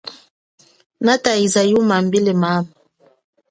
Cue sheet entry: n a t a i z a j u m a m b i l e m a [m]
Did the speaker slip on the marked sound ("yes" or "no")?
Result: no